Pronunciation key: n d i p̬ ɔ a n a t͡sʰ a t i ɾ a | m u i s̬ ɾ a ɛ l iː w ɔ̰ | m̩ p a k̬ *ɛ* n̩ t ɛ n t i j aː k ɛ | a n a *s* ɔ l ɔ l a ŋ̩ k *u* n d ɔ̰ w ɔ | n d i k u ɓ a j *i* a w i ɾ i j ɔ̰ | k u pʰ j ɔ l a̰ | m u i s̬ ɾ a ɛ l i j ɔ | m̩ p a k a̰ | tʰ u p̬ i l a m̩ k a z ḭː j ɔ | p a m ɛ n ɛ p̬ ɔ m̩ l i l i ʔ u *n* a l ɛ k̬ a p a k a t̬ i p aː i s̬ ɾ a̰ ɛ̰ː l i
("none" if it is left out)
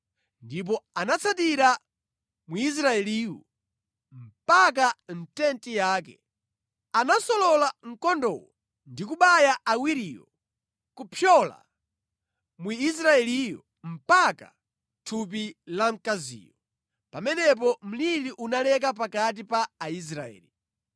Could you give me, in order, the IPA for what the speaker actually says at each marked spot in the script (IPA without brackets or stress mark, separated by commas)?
a, s, ɔ, a, n